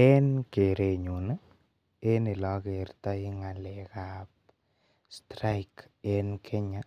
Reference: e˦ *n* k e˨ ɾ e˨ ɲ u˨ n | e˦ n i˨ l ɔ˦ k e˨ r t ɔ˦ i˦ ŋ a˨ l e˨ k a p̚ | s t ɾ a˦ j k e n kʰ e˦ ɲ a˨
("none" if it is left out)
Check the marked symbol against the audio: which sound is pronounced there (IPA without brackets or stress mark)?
n